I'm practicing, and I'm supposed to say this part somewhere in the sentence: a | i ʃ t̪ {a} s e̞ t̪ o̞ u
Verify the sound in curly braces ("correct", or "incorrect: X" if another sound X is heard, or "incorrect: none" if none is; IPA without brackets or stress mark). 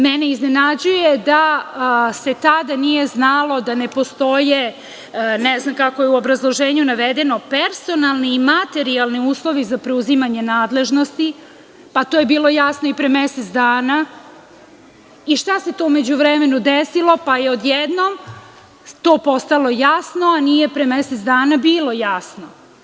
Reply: correct